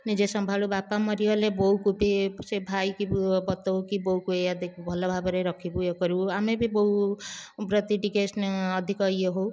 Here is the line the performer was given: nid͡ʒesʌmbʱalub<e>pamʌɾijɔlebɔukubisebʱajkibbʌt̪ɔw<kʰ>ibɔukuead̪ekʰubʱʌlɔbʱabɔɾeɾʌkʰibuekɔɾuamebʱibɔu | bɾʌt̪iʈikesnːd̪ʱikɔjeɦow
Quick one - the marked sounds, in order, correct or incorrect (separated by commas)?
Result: incorrect, incorrect